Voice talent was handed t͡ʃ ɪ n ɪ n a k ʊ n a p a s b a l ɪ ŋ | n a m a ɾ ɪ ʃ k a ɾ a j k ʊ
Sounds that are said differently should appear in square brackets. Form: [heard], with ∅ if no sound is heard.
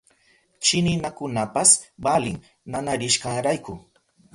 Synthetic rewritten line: t͡ʃ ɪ n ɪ n a k ʊ n a p a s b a l ɪ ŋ | n a [n] a ɾ ɪ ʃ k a ɾ a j k ʊ